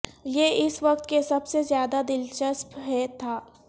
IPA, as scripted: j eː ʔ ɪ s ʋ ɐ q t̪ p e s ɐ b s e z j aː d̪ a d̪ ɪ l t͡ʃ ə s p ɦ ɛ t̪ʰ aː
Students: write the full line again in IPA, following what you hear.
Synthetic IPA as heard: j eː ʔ ɪ s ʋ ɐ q t̪ k e s ɐ b s e z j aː d̪ a d̪ ɪ l t͡ʃ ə s p ɦ ɛ t̪ʰ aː